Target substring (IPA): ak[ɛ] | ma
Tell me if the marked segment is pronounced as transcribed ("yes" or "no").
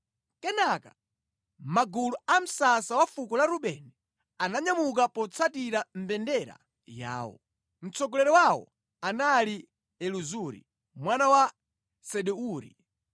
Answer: no